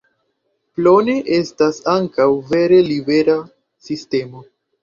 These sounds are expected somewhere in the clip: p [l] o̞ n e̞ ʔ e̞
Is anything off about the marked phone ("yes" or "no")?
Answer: no